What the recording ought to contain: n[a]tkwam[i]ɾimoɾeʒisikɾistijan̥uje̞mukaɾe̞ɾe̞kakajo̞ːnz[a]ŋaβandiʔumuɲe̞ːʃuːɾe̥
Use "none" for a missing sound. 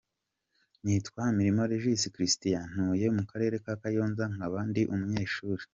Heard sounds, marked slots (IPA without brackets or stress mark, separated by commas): i, i, a